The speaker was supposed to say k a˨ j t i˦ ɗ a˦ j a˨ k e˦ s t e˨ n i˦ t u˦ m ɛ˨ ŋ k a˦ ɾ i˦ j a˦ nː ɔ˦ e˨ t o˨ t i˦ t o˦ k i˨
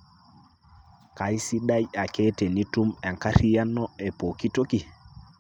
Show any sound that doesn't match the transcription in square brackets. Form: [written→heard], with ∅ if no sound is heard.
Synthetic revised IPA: k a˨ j [t→s] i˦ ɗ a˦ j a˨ k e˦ [s→∅] t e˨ n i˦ t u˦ m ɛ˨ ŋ k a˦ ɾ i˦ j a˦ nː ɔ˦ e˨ [t→p] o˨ [t→k] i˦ t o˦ k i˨